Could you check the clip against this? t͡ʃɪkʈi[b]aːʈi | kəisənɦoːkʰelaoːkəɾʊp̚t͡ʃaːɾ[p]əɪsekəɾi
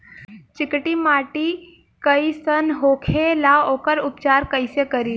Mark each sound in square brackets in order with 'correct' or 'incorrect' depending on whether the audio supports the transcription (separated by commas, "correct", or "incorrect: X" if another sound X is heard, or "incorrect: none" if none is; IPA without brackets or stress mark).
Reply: incorrect: m, incorrect: k